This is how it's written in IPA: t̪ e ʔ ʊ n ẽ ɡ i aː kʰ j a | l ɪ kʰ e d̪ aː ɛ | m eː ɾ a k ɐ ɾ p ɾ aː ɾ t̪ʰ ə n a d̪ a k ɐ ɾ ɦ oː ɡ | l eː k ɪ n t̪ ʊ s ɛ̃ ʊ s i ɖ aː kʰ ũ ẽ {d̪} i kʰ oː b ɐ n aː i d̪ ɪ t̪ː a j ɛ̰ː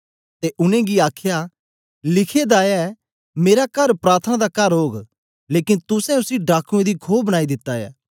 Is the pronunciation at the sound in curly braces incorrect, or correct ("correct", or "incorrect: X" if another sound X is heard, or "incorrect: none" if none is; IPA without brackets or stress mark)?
correct